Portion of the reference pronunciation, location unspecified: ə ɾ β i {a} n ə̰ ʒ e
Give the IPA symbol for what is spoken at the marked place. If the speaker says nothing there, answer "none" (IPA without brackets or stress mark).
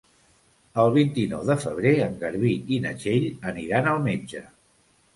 i